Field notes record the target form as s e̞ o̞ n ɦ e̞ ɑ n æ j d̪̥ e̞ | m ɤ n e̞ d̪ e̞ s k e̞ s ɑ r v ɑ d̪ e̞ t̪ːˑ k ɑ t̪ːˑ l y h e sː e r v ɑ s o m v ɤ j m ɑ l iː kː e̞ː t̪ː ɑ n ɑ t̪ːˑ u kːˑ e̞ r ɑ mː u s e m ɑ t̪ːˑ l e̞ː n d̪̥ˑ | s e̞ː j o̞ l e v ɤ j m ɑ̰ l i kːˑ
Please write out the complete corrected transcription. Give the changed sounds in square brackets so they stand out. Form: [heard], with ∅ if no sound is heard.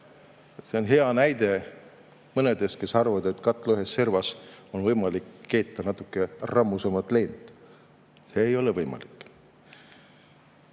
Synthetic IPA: s e̞ o̞ n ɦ e̞ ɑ n æ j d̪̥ e̞ | m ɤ n e̞ d̪ e̞ s k e̞ s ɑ r v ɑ d̪ e̞ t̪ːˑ k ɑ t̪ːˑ l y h e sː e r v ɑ s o [n] v ɤ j m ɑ l [i] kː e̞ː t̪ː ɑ n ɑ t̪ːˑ u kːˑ e̞ r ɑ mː u s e m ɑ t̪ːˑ l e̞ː n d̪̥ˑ | s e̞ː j o̞ l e v ɤ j m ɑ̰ l i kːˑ